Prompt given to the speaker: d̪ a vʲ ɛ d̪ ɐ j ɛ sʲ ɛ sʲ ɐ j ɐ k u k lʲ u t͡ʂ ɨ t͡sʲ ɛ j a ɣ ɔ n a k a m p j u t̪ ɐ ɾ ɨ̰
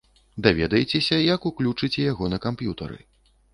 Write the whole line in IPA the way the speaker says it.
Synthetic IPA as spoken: d̪ a vʲ ɛ d̪ ɐ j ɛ t͡sʲ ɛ sʲ ɐ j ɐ k u k lʲ u t͡ʂ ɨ t͡sʲ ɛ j a ɣ ɔ n ɐ k a m p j u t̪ ɐ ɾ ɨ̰